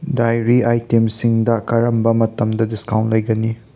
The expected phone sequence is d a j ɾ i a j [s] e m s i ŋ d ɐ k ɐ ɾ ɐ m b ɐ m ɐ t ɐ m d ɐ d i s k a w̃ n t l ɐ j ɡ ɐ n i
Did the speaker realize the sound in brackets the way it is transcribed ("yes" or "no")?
no